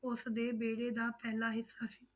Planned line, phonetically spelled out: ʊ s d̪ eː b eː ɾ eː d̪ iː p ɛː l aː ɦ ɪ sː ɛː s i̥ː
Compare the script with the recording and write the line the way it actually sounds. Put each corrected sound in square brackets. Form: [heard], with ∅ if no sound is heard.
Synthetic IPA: ʊ s d̪ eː b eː [ɽ] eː d̪ [aː] p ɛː l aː ɦ ɪ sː [aː] s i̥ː